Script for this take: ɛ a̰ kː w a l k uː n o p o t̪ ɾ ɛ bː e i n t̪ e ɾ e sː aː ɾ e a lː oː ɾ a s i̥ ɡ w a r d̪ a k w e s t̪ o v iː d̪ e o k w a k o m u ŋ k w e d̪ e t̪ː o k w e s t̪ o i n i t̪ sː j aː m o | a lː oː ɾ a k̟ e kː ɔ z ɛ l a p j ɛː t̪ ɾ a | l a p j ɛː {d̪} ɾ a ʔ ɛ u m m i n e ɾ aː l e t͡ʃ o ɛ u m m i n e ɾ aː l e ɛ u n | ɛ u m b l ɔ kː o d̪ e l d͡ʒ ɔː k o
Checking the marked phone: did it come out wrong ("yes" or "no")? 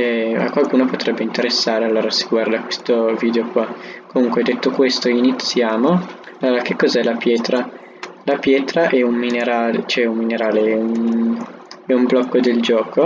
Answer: yes